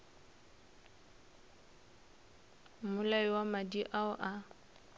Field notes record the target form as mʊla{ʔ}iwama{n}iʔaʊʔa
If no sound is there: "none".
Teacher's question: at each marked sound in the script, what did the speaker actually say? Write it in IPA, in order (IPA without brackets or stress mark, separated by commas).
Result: none, d